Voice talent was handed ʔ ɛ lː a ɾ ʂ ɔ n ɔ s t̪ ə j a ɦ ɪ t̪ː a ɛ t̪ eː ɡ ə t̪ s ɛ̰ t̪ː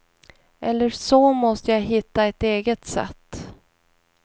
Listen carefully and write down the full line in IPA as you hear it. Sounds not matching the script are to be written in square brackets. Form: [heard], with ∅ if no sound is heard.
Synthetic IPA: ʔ ɛ lː [ə] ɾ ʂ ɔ [m] ɔ s t̪ ə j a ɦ ɪ t̪ː a ɛ t̪ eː ɡ ə t̪ s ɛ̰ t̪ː